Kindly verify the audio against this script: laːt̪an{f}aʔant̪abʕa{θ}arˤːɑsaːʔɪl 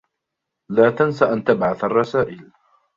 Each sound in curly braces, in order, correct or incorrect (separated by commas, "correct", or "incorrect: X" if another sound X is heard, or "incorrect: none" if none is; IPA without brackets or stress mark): incorrect: s, correct